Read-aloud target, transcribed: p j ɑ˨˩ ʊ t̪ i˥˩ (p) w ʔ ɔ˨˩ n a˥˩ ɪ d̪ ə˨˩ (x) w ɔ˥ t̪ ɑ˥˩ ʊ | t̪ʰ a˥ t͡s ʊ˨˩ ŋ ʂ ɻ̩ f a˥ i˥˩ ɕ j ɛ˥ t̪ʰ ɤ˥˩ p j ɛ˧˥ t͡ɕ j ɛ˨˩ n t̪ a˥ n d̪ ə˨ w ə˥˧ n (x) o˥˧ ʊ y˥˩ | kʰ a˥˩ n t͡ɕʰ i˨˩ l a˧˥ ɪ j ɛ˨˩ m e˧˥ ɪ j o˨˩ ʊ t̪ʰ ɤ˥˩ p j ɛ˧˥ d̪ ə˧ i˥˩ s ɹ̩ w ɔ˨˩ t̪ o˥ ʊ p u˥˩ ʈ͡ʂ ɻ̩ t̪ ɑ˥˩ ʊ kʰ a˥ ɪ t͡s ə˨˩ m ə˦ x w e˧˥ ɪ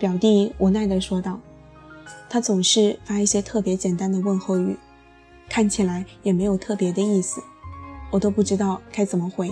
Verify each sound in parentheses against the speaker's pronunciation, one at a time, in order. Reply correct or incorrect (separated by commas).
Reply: incorrect, incorrect, correct